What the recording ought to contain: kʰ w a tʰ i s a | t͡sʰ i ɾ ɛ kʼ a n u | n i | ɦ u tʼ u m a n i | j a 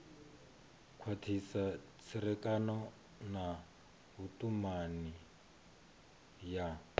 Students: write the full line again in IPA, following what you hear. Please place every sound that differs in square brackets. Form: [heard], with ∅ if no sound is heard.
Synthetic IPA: kʰ w a tʰ i s a | t͡sʰ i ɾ ɛ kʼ a n [ɔ] | n [a] | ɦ u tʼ u m a n i | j a